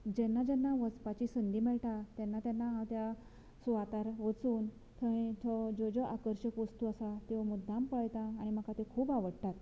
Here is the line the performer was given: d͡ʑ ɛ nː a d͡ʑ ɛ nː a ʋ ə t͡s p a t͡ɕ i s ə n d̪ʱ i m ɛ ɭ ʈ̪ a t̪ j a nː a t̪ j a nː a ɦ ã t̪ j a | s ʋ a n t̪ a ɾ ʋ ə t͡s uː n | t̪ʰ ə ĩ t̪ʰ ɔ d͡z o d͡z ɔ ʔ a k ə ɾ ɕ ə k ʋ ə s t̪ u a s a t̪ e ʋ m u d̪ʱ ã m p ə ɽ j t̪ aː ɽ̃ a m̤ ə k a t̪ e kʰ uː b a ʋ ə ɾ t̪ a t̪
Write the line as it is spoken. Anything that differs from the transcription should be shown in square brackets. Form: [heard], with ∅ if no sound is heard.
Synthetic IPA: d͡ʑ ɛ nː a d͡ʑ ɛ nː a ʋ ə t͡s p a t͡ɕ i s ə n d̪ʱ i m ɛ ɭ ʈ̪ a t̪ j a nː a t̪ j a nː a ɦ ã t̪ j a | s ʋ a [∅] t̪ a ɾ ʋ ə t͡s uː n | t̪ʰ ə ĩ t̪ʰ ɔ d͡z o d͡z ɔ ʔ a k ə ɾ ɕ ə k ʋ ə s t̪ u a s a t̪ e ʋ m u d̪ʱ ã m p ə [ɭ] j t̪ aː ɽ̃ [i] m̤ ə k a t̪ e kʰ uː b a ʋ ə [ɽ] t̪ a t̪